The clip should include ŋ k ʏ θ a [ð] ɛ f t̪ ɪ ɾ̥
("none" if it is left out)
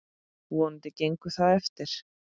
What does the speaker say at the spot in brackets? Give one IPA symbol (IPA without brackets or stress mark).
ð